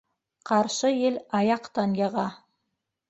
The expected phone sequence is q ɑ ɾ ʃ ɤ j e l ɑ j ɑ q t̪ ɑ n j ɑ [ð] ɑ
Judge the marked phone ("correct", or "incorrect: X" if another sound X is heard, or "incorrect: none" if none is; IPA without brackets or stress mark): incorrect: ʁ